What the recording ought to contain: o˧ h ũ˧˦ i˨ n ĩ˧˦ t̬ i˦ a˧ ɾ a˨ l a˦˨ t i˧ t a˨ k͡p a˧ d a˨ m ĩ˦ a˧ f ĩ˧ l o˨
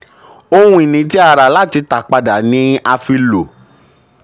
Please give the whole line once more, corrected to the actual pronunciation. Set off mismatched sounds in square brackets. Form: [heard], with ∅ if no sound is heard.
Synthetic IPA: o˧ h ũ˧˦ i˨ n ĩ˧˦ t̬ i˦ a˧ ɾ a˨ l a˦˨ t i˧ t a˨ k͡p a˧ d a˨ [n] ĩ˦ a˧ f [i˧] l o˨